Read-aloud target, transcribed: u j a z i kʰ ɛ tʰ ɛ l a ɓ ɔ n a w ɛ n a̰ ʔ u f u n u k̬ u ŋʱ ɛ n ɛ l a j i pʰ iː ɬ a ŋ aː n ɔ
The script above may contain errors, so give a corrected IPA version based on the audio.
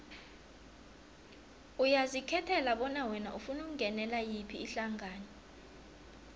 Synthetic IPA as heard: u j a z i kʰ ɛ tʰ ɛ l a ɓ ɔ n a w ɛ n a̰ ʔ u f u n u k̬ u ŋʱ ɛ n ɛ l a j i pʰ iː ɬ a ŋ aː n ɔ